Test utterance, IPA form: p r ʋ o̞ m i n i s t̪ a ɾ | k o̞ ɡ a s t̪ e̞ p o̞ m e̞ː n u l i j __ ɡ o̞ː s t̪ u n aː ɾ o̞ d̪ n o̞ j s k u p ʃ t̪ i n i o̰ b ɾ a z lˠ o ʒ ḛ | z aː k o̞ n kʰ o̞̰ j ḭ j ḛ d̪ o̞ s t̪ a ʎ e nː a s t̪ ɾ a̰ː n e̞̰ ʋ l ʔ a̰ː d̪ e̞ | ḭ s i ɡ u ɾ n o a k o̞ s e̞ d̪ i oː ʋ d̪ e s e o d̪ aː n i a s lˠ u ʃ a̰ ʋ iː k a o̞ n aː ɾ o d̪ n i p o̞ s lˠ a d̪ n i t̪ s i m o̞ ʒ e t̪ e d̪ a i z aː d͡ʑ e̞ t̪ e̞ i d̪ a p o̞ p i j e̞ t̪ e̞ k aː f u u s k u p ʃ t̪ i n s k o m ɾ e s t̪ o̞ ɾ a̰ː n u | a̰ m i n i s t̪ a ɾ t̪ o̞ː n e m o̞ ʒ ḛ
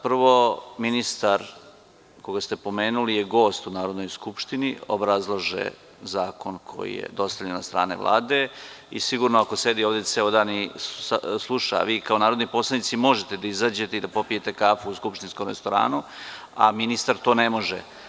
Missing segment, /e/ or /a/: e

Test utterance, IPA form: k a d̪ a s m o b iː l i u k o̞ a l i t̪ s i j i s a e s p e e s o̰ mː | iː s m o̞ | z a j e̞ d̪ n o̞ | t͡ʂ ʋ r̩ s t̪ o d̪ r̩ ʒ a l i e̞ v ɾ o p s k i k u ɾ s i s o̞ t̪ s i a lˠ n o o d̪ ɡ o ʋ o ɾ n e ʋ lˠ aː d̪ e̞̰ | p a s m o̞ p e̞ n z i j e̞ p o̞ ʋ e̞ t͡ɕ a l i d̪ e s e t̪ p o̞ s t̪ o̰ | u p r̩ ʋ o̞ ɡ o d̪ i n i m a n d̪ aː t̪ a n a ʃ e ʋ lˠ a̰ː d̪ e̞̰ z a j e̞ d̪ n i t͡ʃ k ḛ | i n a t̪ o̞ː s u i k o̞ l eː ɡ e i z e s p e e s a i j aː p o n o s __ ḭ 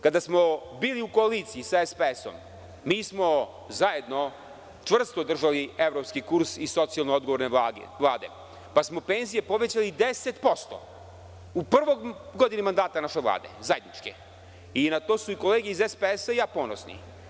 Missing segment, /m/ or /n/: n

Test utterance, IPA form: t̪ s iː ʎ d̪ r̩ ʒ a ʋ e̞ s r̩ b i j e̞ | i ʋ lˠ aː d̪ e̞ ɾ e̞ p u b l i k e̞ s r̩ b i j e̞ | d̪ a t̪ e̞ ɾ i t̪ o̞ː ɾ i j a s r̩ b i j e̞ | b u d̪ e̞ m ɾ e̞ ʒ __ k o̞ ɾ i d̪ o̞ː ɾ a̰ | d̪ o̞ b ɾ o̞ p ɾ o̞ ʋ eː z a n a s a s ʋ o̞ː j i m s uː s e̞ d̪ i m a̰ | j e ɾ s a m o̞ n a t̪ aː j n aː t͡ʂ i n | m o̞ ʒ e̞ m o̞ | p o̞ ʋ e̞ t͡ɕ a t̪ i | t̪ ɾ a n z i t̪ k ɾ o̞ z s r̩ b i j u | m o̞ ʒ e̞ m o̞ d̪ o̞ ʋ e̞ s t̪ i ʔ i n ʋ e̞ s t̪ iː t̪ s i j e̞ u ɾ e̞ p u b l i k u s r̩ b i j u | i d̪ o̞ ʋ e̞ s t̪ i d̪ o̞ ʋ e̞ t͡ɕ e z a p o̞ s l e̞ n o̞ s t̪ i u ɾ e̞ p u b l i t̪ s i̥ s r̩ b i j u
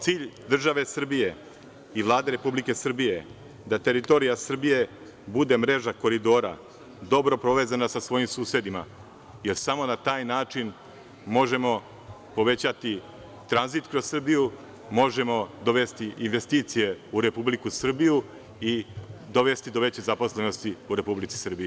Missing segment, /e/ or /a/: a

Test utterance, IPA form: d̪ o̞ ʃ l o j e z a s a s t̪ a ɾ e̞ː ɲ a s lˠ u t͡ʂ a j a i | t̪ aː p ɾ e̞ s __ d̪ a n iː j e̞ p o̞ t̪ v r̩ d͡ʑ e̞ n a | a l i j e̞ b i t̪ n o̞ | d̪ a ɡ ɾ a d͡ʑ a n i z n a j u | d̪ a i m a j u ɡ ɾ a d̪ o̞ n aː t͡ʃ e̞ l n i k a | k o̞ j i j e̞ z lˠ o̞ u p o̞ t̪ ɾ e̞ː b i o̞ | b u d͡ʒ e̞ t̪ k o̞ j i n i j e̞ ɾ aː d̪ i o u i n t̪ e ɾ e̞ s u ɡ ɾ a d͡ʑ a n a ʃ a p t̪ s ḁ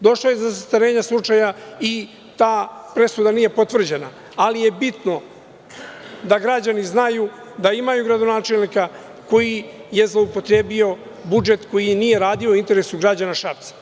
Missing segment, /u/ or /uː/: u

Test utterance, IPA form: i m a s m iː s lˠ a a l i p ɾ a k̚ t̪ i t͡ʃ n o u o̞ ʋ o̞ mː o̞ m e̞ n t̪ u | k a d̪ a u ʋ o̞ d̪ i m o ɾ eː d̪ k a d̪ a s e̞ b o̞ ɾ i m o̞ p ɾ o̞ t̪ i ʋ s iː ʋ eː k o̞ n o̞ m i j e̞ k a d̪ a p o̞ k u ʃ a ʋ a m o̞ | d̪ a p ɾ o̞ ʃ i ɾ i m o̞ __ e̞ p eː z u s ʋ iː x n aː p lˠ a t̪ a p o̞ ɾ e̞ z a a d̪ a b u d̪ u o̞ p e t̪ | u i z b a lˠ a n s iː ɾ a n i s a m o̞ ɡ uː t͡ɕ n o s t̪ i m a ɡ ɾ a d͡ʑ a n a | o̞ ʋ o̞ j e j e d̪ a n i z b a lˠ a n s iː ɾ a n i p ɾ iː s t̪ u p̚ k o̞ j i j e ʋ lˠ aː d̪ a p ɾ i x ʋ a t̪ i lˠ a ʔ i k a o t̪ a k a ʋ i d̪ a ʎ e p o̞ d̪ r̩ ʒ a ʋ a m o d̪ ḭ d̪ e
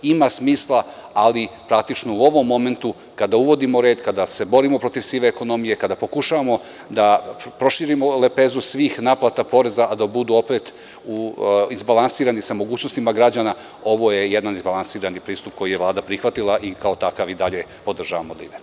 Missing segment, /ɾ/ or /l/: l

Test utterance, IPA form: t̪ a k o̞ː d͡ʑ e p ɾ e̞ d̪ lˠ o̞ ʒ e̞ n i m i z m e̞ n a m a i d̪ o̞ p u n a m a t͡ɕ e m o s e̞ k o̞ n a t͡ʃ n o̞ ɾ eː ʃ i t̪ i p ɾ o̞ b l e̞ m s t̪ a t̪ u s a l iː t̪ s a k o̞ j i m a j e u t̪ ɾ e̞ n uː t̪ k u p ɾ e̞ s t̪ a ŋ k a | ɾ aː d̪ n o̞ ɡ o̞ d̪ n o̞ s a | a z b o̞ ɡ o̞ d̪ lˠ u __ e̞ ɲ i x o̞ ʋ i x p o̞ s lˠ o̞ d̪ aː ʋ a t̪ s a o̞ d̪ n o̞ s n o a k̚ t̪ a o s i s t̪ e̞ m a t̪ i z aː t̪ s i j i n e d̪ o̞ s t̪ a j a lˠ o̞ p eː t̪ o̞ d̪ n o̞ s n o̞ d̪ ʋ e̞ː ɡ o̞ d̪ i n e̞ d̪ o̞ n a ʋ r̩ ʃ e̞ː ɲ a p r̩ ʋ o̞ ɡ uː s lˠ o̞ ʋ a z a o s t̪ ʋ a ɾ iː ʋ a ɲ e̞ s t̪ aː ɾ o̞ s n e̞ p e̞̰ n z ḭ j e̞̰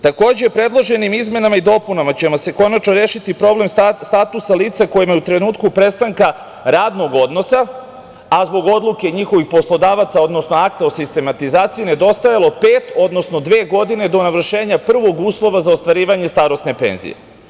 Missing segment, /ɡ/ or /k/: k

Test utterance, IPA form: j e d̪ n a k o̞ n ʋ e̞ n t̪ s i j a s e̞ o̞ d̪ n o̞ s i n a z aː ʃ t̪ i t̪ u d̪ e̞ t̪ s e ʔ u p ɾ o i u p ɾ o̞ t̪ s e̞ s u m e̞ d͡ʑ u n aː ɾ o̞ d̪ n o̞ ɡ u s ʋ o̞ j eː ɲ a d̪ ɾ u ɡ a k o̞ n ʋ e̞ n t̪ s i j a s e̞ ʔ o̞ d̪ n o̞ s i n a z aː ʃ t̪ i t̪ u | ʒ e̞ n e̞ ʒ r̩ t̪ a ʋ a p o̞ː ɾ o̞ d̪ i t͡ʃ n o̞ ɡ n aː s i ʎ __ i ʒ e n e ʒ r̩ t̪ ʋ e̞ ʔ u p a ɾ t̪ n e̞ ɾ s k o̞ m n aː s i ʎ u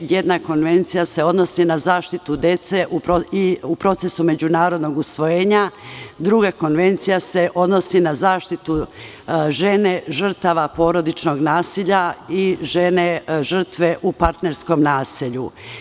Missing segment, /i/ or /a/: a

